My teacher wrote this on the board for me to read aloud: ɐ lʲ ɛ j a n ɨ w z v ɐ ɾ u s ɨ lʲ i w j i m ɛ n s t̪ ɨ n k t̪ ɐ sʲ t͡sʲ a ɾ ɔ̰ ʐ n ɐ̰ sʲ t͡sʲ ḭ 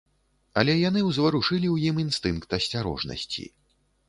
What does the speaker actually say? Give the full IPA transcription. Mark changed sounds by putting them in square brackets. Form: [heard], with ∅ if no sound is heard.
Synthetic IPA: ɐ lʲ ɛ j a n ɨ w z v ɐ ɾ u [ʂ] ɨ lʲ i w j i m [i] n s t̪ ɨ n k t̪ ɐ sʲ t͡sʲ a ɾ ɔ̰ ʐ n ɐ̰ sʲ t͡sʲ ḭ